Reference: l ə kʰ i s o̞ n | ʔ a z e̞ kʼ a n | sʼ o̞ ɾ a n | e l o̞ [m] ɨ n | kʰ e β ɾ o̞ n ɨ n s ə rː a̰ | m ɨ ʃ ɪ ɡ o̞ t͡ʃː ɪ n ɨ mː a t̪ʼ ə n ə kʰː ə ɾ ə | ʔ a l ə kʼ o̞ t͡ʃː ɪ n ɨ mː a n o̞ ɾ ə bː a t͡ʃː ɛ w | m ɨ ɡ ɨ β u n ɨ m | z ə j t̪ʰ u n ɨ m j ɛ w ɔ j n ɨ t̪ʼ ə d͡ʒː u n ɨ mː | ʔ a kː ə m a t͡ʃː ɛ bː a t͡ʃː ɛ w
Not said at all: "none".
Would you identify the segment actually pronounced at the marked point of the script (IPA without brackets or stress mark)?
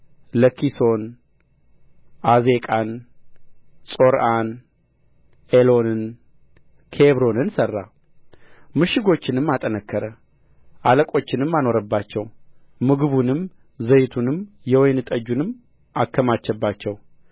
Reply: n